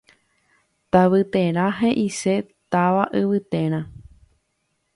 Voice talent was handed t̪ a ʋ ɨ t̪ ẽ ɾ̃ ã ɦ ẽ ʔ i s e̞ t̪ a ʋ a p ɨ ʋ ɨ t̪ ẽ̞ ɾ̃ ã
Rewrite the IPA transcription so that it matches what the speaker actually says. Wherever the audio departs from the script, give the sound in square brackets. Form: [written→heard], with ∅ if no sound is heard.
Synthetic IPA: t̪ a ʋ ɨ t̪ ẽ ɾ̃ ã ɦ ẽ ʔ i s e̞ t̪ a ʋ a [p→ʔ] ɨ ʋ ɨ t̪ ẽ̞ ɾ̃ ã

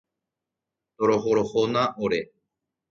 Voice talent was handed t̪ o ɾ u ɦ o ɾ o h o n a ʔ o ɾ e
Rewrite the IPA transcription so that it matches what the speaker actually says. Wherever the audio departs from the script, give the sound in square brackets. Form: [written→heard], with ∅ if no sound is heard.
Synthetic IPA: t̪ o ɾ [u→o] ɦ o ɾ o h o n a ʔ o ɾ e

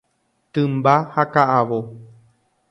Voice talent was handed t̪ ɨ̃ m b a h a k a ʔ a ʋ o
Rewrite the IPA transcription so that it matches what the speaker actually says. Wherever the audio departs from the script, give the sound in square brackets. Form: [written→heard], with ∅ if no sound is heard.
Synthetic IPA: t̪ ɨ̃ m b a h a k a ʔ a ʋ o

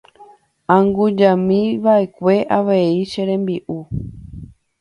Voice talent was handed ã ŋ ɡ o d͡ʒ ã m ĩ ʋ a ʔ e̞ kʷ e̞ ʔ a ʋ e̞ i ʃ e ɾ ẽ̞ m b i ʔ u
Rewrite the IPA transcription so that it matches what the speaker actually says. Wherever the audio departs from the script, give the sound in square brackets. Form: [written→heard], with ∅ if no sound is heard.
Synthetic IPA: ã ŋ ɡ [o→u] d͡ʒ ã m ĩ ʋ a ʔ e̞ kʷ e̞ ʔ a ʋ e̞ i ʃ e ɾ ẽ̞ m b i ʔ u

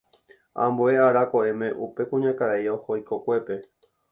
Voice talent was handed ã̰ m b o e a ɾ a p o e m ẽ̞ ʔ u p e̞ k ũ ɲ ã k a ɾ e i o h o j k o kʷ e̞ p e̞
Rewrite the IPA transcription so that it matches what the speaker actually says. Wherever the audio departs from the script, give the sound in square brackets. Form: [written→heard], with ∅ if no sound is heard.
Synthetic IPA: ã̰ m b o e a ɾ a [p→k] o e m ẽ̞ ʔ u p e̞ k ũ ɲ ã k a ɾ [e→a] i o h o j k o kʷ e̞ p e̞

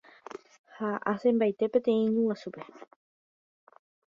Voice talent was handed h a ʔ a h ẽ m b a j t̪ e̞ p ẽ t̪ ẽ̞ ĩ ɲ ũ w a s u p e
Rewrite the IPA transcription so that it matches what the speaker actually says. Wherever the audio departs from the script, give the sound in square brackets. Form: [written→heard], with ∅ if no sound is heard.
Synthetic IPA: h a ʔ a [h→s] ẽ m b a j t̪ e̞ p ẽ t̪ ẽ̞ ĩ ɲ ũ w a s u p e

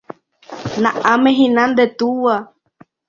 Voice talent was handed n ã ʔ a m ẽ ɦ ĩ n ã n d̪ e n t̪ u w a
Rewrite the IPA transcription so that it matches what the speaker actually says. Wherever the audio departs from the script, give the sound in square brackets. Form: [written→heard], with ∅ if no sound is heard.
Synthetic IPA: n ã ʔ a m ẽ ɦ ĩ n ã n d̪ e [n→∅] t̪ u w a

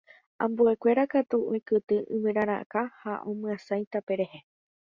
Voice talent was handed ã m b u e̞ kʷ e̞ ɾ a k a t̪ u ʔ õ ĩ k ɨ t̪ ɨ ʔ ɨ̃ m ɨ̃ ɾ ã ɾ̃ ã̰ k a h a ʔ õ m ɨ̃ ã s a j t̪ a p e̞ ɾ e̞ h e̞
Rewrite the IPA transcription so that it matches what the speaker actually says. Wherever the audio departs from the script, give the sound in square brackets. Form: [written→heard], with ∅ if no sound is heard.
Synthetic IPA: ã m b u e̞ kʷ e̞ ɾ a k a t̪ u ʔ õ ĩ k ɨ t̪ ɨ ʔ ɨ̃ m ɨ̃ ɾ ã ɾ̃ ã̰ k a h a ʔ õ m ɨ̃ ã s a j t̪ a p e̞ ɾ e̞ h e̞

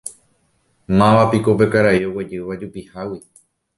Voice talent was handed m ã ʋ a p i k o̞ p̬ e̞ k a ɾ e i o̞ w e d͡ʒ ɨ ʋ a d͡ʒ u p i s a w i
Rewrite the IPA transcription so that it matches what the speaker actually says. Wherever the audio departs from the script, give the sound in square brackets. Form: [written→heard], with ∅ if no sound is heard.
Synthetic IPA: m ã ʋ a p i k o̞ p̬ e̞ k a ɾ [e→a] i o̞ w e d͡ʒ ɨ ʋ a d͡ʒ u p i [s→h] a w i

